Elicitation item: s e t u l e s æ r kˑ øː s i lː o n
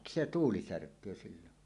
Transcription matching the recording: s e t uː l i s æ r kˑ øː s i lː o n

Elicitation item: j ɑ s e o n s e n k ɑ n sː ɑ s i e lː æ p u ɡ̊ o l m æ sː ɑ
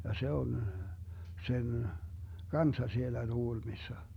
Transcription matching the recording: j ɑ s e o n s e n k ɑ n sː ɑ s i e lː æ t u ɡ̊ u l m i sː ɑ

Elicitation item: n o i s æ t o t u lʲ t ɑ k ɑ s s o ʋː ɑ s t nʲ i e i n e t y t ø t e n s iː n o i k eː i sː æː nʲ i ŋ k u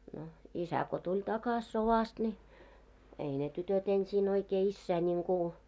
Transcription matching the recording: n o i s æ k o t u lʲ t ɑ k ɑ s s o ʋ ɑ s t nʲ i e i n e t y t ø t e n s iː n o i k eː i sː æː nʲ i ŋ k u

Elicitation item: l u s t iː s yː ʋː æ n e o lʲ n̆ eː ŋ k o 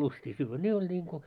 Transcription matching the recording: l u s t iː s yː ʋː æ n e o lʲ n̆ iː ŋ k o

